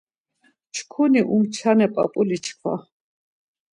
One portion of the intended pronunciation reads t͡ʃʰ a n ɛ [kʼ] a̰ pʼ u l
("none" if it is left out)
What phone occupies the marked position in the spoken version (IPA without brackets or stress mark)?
pʼ